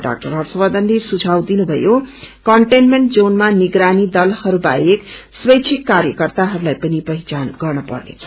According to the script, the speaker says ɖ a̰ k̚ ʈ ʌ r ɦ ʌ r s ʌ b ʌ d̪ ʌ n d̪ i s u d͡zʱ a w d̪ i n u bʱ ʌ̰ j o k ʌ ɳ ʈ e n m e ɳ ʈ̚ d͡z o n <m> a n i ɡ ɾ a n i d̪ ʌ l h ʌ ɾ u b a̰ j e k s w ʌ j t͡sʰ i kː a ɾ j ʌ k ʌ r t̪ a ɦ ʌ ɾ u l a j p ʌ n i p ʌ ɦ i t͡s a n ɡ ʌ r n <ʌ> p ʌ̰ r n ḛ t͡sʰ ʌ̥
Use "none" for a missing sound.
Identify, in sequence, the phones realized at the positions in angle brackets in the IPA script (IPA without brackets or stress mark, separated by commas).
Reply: m, ʌ